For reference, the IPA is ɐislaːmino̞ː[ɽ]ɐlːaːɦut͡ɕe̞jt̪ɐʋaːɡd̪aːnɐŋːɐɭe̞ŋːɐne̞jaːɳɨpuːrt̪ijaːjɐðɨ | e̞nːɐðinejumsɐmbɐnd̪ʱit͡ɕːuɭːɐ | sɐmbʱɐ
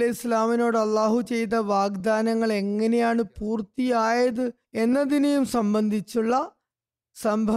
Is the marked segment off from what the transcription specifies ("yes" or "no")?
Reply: no